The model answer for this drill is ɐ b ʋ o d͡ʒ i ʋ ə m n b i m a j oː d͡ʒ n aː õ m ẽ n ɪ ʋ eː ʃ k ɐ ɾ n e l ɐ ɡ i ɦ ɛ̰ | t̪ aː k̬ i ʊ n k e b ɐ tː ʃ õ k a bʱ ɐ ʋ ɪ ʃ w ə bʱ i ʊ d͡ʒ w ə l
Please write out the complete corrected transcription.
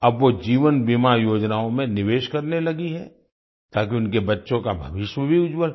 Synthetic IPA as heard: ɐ b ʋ o d͡ʒ iː ʋ ə n b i m a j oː d͡ʒ n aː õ m ẽ n ɪ ʋ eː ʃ k ɐ ɾ n e l ɐ ɡ i ɦ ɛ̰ | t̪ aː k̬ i ʊ n k e b ɐ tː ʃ õ k a bʱ ɐ ʋ ɪ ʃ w ə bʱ i ʊ d͡ʒ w ə l